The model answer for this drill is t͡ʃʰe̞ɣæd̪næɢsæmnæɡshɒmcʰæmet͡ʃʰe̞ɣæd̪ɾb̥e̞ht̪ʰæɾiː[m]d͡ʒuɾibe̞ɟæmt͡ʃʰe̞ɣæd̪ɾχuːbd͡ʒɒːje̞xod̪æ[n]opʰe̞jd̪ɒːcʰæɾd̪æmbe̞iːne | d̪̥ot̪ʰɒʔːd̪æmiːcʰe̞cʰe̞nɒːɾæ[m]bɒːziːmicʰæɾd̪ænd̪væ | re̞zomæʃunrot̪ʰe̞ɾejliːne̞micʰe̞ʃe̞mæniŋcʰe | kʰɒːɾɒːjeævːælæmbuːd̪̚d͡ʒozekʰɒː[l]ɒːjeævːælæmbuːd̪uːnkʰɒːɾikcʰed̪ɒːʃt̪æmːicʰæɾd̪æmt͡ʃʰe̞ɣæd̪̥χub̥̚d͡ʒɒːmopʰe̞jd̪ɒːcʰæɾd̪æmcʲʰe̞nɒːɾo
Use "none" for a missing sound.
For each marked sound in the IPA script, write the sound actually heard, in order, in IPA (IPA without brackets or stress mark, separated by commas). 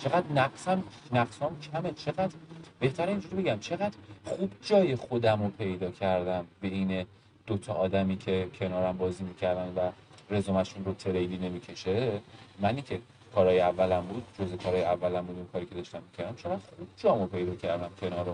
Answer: n, m, m, ɾ